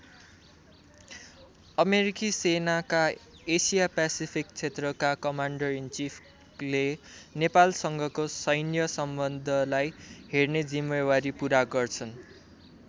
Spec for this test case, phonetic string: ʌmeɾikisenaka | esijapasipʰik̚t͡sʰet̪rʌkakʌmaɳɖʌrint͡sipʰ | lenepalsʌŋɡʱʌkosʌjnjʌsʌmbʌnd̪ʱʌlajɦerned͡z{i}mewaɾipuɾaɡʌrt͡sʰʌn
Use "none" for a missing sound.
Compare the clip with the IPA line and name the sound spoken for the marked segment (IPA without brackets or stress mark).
i